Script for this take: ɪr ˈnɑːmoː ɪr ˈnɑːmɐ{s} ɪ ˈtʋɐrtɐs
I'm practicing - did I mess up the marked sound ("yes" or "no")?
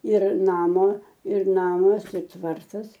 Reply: no